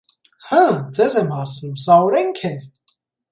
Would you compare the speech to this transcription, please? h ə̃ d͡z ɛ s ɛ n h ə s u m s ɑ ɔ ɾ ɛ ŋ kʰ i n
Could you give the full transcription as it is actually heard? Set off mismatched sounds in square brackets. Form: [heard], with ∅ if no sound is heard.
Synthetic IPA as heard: h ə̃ d͡z ɛ [z] ɛ [m] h [ɑ] s u m s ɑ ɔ ɾ ɛ ŋ kʰ [ɛ] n